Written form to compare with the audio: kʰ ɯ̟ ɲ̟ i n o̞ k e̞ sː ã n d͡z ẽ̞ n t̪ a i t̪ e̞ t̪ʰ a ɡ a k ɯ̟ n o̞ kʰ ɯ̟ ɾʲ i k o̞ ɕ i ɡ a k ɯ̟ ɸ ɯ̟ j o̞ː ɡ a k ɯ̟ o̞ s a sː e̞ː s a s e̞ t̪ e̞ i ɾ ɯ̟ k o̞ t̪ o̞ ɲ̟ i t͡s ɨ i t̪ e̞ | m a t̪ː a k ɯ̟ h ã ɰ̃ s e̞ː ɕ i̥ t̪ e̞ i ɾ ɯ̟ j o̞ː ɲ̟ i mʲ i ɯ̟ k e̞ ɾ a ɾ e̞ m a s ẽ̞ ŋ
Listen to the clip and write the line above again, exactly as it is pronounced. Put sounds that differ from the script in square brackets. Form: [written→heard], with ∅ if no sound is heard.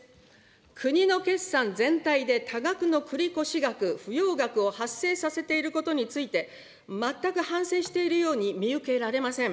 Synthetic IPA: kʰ ɯ̟ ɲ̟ i n o̞ k e̞ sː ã n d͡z ẽ̞ n t̪ a i [t̪→d̪] e̞ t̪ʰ a ɡ a k ɯ̟ n o̞ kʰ ɯ̟ ɾʲ i k o̞ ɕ i ɡ a k ɯ̟ ɸ ɯ̟ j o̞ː ɡ a k ɯ̟ o̞ [s→h] a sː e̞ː s a s e̞ t̪ e̞ i ɾ ɯ̟ k o̞ t̪ o̞ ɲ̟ i t͡s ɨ i t̪ e̞ | m a t̪ː a k ɯ̟ h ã ɰ̃ s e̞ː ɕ i̥ t̪ e̞ i ɾ ɯ̟ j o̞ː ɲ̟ i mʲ i ɯ̟ k e̞ ɾ a ɾ e̞ m a s ẽ̞ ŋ